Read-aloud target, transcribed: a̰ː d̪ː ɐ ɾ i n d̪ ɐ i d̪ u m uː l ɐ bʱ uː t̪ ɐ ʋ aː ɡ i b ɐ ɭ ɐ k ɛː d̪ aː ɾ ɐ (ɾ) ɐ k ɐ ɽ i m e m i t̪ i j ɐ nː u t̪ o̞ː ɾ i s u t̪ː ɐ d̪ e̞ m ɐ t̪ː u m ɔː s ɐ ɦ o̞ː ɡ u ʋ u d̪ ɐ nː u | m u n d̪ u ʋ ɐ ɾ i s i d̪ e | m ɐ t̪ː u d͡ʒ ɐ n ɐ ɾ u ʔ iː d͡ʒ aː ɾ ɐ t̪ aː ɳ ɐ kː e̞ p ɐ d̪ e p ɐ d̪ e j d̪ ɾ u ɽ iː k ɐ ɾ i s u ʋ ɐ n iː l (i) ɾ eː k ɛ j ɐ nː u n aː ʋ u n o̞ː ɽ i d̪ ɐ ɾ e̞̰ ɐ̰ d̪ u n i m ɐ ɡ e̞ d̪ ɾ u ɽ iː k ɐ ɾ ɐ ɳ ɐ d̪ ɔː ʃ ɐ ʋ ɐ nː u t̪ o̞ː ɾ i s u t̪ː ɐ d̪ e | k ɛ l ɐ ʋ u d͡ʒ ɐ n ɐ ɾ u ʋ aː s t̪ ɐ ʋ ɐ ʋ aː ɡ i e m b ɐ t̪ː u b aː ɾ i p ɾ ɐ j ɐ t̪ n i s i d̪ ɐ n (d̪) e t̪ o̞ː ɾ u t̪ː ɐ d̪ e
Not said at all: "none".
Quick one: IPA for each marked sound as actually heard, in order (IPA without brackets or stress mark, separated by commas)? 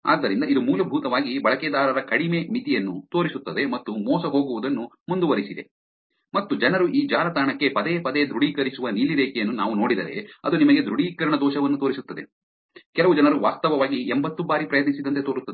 ɾ, i, t̪